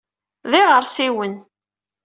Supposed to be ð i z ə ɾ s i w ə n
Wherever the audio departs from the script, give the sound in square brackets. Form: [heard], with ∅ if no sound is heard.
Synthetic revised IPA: ð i [ʁ] ə ɾ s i w ə n